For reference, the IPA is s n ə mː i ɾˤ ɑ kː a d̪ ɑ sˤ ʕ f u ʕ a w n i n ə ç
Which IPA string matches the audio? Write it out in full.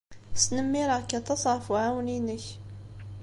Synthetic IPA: s n ə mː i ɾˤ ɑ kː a t̪ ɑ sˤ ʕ f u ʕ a w n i n ə ç